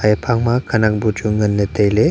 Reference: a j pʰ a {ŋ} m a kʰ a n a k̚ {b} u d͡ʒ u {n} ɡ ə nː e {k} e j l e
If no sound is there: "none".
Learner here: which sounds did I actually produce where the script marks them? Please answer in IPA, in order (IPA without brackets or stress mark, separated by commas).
ŋ, b, ŋ, t